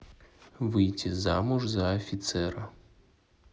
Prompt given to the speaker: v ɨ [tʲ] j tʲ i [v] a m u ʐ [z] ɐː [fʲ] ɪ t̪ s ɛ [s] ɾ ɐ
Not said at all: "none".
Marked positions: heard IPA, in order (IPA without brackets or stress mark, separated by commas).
none, z, z, fʲ, none